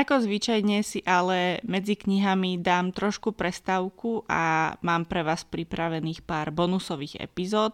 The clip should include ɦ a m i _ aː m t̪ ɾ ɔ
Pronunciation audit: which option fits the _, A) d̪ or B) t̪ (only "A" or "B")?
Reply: A